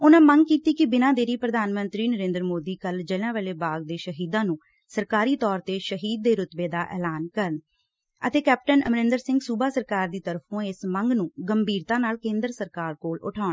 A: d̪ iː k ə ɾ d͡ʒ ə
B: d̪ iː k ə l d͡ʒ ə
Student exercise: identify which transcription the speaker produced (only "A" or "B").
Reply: B